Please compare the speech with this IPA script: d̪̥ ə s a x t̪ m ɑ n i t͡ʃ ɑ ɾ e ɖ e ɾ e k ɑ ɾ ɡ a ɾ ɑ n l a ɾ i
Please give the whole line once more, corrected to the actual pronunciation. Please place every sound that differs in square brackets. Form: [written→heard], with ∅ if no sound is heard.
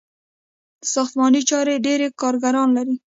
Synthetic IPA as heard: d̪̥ ə s [a→ɑ] x t̪ m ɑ n i t͡ʃ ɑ ɾ e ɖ e ɾ e k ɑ ɾ ɡ a ɾ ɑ n l a ɾ i